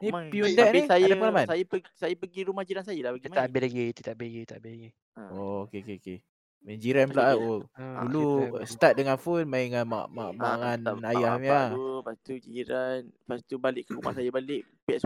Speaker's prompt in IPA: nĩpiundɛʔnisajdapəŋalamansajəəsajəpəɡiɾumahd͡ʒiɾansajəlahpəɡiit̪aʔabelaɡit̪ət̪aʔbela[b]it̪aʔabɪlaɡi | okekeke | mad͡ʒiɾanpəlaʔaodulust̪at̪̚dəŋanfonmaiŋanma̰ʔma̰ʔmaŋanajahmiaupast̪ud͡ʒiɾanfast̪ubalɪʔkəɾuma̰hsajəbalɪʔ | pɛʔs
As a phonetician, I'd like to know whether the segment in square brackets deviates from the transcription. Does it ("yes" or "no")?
yes